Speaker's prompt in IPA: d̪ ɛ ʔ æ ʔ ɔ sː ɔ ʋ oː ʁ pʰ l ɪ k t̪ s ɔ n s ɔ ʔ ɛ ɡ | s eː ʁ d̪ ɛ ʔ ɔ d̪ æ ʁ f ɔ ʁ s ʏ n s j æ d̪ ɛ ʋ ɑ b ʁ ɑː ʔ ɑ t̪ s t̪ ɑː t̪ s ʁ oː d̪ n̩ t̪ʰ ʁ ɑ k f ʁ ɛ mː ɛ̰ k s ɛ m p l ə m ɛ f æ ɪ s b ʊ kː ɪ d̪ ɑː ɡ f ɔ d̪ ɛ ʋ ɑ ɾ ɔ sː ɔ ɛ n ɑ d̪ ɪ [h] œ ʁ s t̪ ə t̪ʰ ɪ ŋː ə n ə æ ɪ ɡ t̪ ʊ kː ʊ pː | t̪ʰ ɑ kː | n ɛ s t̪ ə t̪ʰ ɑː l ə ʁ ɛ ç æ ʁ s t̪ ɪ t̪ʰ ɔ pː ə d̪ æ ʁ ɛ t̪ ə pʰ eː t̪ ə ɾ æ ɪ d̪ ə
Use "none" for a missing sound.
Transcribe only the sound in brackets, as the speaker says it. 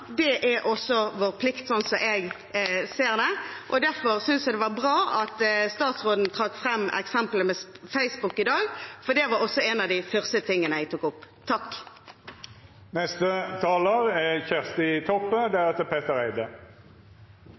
f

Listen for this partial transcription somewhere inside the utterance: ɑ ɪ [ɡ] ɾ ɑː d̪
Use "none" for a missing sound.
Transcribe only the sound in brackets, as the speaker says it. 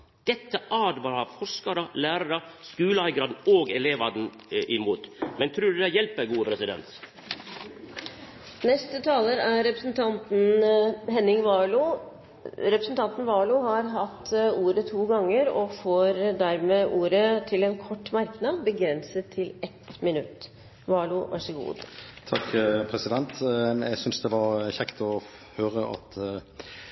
ɡ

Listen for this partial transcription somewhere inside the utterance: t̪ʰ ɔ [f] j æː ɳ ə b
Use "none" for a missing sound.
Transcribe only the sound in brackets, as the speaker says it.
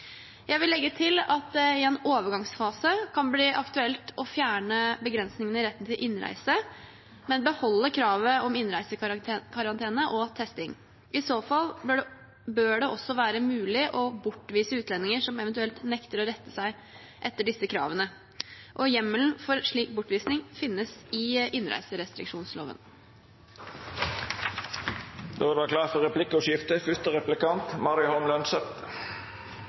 f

